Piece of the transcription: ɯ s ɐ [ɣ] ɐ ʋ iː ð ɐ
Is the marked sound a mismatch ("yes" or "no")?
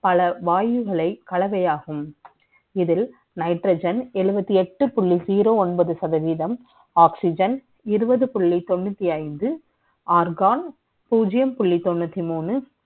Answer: yes